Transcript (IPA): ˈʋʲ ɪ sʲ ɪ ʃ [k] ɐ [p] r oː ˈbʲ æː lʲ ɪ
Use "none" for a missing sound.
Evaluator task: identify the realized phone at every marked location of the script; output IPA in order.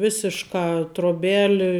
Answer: k, t

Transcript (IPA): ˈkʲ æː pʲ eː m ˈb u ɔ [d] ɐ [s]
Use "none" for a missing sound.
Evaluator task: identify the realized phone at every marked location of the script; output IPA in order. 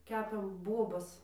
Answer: b, s

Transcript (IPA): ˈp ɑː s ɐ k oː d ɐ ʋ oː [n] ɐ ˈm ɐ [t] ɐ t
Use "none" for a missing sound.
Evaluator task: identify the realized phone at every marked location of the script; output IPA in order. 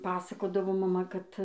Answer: m, k

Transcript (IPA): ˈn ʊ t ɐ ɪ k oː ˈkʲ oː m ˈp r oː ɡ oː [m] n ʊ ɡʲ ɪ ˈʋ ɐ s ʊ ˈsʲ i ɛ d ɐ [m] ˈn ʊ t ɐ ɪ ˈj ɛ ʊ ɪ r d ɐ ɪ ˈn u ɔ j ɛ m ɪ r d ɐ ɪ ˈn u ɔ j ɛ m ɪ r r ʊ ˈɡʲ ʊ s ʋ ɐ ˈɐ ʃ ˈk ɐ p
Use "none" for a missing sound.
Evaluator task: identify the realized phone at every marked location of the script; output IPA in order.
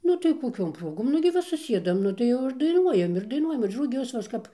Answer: m, m

